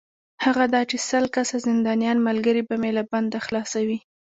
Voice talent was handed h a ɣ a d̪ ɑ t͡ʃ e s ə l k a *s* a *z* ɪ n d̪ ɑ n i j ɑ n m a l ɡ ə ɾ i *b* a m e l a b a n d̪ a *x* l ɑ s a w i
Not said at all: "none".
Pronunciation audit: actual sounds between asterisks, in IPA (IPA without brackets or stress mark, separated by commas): s, z, b, x